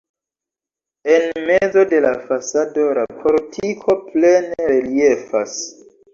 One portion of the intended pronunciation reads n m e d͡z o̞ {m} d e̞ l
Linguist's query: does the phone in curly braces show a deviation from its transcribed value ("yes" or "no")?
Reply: yes